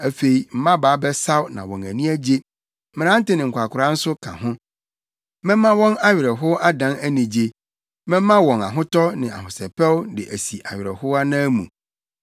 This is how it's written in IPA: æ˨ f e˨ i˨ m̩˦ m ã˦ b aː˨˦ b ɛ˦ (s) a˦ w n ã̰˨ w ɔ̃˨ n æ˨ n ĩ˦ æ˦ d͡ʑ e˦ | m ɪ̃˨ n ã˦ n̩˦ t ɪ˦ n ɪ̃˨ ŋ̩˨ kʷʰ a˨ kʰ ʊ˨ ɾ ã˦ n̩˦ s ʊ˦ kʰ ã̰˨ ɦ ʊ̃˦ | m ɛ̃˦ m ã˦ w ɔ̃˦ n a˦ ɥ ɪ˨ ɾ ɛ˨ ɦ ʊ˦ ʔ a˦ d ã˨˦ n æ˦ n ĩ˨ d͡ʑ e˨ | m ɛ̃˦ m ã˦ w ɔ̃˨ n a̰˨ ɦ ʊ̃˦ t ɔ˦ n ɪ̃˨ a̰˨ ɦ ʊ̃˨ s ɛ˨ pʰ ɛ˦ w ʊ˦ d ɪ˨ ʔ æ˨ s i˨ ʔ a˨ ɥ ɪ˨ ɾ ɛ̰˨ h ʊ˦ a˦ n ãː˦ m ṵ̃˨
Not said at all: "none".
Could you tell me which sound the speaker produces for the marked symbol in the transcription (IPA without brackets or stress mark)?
s